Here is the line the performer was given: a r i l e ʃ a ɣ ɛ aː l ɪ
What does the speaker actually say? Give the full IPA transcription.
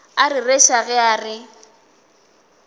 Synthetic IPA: a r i r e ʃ a ɣ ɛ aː r ɪ